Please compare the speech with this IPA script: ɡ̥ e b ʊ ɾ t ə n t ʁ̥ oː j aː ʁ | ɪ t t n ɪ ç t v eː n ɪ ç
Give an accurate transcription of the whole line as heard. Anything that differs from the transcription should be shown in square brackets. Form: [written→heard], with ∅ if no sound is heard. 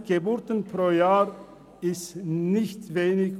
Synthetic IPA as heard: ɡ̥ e b ʊ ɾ t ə n [t→p] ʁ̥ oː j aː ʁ | ɪ [t→s] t n ɪ ç t v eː n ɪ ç